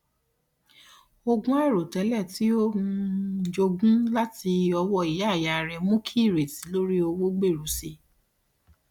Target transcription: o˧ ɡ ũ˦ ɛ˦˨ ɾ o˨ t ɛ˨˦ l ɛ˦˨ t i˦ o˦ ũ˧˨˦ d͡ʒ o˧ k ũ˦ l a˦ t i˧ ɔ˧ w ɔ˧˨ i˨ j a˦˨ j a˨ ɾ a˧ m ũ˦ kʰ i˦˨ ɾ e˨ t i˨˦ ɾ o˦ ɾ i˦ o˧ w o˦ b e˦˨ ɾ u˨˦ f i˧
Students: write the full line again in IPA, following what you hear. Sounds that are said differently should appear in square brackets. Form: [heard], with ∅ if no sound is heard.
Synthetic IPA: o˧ ɡ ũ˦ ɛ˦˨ ɾ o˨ t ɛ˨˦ l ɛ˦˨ t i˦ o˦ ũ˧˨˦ d͡ʒ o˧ [ɡ] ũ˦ l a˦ t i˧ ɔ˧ w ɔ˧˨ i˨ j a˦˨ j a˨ ɾ [ɛ˧] m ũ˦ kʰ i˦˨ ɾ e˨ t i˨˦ [l] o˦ ɾ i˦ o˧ w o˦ [ɡ͡b] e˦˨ ɾ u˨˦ [s] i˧